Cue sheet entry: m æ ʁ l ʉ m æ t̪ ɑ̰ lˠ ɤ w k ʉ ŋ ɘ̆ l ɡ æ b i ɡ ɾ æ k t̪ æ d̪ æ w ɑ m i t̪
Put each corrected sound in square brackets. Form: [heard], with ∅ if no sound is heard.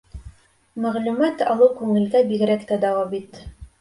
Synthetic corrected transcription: m æ ʁ l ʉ m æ t̪ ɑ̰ lˠ ɤ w k ʉ ŋ ɘ̆ l ɡ æ b i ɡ ɾ æ k t̪ æ d̪ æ w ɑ [b] i t̪